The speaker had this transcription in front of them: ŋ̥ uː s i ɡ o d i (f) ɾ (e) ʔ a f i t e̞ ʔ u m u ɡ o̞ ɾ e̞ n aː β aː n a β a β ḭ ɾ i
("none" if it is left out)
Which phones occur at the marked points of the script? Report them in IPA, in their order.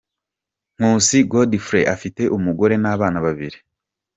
f, e

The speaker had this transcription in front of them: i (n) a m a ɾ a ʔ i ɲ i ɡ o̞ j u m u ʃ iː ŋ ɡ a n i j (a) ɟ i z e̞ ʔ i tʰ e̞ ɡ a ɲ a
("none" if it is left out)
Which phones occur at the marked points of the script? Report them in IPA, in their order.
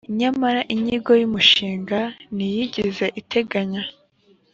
ɲ, i

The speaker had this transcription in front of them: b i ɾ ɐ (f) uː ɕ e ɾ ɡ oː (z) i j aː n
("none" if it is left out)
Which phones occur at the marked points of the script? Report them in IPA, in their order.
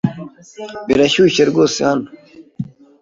ɕ, s

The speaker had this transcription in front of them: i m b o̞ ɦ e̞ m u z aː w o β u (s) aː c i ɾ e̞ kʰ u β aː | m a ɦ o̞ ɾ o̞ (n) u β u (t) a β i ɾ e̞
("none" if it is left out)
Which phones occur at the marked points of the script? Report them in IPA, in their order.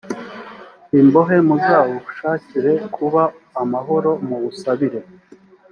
ʃ, m, s

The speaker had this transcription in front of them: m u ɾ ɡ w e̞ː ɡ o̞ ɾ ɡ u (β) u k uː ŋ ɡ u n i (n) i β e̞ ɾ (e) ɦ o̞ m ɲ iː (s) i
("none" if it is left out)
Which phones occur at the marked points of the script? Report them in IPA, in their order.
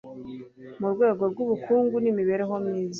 β, m, e, z

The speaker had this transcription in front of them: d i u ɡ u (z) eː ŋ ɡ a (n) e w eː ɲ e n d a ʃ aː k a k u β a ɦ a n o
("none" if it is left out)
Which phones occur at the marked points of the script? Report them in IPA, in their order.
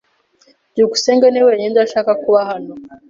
s, n

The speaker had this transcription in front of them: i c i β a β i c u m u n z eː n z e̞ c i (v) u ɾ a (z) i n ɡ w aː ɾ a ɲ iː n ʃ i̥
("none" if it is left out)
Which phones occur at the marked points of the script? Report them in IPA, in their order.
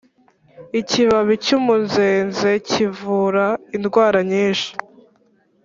v, none

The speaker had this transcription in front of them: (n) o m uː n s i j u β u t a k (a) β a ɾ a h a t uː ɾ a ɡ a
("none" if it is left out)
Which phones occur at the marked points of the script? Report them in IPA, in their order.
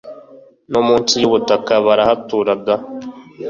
n, a

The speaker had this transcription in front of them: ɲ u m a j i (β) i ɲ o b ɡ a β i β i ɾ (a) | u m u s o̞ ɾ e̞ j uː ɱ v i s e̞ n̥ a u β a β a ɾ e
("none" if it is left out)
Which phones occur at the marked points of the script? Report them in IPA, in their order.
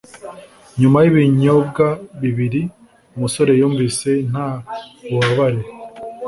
β, i

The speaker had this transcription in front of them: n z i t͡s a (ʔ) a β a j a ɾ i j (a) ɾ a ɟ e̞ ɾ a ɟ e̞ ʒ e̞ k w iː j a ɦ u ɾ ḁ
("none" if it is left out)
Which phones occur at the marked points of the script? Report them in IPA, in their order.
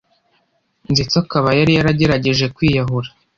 k, a

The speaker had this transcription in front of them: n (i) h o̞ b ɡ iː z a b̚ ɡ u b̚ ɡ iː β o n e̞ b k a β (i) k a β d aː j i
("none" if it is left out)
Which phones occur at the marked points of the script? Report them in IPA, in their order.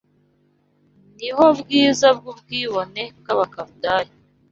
i, a

